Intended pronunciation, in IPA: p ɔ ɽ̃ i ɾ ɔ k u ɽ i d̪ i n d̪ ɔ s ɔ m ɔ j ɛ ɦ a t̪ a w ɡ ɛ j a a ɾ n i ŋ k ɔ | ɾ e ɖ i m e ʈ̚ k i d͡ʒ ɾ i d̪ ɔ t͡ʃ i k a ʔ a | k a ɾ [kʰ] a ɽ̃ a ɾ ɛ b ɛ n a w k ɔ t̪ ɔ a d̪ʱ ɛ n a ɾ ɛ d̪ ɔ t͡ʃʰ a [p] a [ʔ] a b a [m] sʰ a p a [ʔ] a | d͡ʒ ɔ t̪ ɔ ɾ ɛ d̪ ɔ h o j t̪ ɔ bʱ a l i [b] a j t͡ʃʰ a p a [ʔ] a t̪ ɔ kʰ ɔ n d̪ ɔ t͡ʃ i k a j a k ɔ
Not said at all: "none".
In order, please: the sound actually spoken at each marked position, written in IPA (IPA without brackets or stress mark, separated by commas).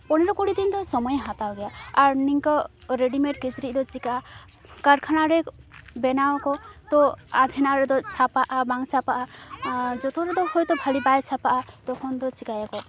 kʰ, p, ʔ, ŋ, ʔ, b, ʔ